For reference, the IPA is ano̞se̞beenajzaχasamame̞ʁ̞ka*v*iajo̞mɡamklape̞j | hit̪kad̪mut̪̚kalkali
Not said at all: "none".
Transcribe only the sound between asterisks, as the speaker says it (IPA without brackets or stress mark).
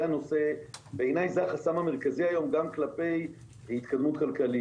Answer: z